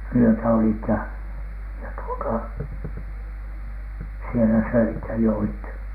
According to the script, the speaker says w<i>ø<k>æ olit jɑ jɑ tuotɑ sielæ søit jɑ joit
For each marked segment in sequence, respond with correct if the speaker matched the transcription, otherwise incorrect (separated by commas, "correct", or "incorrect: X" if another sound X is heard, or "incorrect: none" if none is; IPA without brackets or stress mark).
incorrect: y, incorrect: t